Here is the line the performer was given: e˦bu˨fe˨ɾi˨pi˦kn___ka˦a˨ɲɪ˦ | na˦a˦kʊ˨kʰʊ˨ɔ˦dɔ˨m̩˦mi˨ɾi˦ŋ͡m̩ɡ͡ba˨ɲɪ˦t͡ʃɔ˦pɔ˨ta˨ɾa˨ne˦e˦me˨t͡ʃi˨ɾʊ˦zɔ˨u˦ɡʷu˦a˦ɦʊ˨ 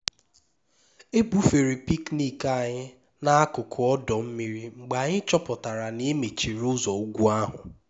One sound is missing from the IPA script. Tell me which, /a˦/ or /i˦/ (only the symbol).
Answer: i˦